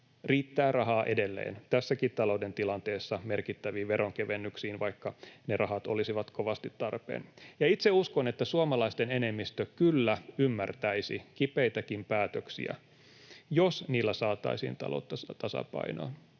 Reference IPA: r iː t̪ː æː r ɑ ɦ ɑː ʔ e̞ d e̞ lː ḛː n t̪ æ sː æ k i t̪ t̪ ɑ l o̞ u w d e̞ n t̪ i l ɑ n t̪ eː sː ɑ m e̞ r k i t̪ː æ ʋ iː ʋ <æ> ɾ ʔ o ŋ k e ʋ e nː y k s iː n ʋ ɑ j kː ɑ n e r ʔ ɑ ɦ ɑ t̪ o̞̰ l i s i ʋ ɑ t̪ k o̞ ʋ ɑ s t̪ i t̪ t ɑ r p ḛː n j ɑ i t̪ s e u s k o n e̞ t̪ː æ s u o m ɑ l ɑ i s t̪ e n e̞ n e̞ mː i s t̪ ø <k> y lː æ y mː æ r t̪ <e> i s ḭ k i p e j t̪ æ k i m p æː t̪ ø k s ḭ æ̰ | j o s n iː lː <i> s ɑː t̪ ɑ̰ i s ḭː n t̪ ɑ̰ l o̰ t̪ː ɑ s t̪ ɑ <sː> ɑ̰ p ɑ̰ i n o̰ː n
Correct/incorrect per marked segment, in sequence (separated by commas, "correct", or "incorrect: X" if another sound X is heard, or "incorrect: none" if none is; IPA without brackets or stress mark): incorrect: e, correct, incorrect: æ, incorrect: æ, incorrect: s